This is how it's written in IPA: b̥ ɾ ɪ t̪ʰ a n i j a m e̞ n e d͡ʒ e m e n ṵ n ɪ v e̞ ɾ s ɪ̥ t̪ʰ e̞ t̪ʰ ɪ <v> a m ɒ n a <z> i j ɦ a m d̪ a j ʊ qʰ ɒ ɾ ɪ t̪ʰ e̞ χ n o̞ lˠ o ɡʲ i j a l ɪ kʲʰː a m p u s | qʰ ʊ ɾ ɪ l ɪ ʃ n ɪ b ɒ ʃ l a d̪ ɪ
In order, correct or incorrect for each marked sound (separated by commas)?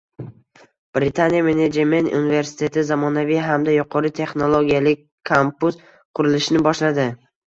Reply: incorrect, incorrect